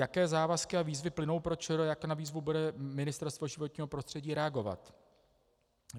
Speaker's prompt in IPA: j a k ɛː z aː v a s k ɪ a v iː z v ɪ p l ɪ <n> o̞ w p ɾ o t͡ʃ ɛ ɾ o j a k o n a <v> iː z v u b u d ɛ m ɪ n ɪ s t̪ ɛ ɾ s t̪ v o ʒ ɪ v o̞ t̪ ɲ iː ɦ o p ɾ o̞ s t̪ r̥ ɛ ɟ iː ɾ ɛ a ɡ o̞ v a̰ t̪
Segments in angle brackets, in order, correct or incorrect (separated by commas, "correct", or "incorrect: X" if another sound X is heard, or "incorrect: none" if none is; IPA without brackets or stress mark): correct, correct